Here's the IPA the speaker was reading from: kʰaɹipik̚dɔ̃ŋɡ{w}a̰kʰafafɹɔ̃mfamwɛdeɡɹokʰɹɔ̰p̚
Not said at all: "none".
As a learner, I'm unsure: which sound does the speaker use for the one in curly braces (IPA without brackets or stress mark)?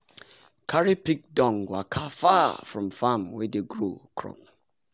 w